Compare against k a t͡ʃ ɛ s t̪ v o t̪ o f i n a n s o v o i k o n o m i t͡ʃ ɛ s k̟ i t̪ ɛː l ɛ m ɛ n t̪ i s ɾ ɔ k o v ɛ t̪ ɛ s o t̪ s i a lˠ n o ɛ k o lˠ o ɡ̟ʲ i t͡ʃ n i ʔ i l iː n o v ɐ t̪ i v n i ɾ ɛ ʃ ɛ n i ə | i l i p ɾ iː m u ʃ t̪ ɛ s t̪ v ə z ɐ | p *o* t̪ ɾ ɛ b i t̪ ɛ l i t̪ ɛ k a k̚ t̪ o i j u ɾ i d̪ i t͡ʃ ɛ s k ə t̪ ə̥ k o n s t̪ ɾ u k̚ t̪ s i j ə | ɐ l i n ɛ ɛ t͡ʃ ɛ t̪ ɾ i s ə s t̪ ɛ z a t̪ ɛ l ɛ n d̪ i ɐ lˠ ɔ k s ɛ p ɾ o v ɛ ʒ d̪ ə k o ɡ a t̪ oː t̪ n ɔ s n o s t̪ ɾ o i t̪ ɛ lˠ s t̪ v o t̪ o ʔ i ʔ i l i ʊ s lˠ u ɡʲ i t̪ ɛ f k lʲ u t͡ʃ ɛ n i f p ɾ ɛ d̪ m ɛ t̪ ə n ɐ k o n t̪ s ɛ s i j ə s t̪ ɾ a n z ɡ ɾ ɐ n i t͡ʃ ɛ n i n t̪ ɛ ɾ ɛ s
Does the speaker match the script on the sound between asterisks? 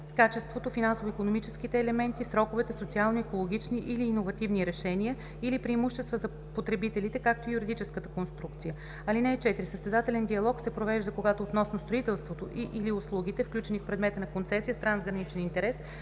yes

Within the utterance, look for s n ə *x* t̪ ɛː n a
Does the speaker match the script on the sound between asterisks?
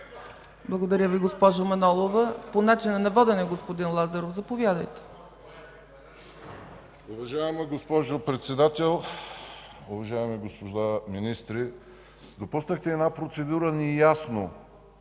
yes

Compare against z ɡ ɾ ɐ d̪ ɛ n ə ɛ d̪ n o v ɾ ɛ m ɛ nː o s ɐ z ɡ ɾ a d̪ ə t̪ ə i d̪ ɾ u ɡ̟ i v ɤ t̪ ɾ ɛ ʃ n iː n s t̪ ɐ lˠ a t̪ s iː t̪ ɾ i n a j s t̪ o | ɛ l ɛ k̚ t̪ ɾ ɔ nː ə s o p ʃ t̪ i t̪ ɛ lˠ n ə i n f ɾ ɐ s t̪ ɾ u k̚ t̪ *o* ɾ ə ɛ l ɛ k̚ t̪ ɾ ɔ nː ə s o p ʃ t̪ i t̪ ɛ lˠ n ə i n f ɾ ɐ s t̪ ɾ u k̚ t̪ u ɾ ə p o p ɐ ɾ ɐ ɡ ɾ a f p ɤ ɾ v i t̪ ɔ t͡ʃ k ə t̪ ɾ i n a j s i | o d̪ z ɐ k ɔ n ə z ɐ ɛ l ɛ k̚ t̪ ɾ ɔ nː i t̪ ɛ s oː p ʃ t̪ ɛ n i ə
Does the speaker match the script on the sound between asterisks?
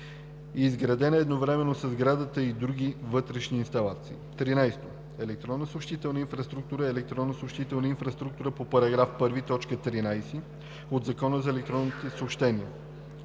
no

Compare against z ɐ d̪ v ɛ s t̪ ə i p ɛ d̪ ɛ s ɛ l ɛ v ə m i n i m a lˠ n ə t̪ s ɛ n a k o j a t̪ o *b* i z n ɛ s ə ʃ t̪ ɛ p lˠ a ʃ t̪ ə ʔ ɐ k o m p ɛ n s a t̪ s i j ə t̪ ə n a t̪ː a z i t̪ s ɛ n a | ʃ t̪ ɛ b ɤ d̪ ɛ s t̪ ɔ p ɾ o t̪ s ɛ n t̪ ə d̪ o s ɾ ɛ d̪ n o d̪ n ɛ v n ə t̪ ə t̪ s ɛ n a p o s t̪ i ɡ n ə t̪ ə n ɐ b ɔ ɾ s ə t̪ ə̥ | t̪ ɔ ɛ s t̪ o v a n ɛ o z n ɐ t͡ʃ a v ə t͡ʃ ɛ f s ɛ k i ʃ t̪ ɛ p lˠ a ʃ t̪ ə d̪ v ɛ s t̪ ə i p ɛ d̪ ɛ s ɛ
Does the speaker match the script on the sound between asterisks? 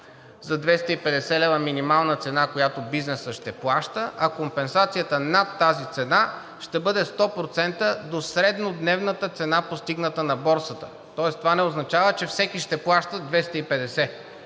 yes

